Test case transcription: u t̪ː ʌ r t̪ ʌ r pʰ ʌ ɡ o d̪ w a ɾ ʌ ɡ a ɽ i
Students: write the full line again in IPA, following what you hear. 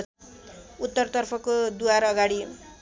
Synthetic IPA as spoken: u t̪ː ʌ r t̪ ʌ r pʰ ʌ k o d̪ u a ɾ ʌ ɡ a ɽ i